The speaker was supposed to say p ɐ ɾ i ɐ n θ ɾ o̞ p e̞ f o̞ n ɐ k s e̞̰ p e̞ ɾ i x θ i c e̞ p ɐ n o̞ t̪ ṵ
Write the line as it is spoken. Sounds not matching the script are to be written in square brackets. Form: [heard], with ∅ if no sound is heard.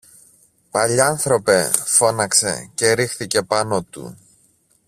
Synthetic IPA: p ɐ [ʎ] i ɐ n θ ɾ o̞ p e̞ f o̞ n ɐ k s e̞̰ [c] e̞ ɾ i x θ i c e̞ p ɐ n o̞ t̪ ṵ